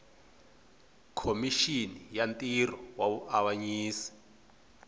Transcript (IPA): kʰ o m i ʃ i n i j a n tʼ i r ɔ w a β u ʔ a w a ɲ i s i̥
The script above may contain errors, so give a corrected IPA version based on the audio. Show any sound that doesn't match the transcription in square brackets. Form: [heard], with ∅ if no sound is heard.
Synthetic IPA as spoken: kʰ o m i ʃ i n i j a n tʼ i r ɔ w a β u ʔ a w a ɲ [iː] s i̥